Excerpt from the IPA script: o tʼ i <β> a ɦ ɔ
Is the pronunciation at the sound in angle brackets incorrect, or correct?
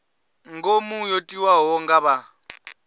incorrect